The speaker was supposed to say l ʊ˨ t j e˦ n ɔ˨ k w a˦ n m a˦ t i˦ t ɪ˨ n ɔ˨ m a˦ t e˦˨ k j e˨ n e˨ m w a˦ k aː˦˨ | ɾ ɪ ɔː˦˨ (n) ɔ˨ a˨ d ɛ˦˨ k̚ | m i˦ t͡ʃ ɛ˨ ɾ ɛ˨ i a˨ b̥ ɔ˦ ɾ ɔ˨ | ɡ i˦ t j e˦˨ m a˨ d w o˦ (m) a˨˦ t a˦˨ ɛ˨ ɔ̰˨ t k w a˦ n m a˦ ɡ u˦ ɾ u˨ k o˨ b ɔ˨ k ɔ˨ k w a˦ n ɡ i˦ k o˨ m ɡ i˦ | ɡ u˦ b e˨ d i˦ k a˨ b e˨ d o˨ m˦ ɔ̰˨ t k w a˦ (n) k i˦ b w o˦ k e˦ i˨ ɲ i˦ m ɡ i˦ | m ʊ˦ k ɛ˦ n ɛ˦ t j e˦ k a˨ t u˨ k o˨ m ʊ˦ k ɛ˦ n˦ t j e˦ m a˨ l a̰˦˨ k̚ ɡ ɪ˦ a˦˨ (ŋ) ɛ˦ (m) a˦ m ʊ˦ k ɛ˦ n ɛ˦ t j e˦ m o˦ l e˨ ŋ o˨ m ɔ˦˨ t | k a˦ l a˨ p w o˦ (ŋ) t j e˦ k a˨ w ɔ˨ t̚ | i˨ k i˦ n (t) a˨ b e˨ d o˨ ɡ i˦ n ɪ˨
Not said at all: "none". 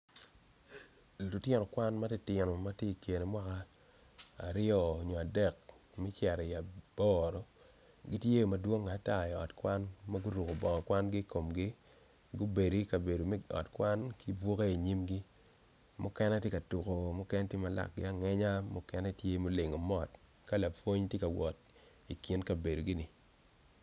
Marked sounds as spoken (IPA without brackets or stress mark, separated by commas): ɲ, ŋ, n, ŋ, ɲ, ɲ, k